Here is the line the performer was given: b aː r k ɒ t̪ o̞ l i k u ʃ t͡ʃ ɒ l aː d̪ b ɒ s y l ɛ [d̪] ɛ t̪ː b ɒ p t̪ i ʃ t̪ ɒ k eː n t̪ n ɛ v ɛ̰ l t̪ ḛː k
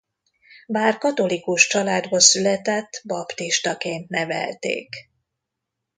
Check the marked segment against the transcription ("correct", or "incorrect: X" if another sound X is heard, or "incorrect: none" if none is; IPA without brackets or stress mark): incorrect: t̪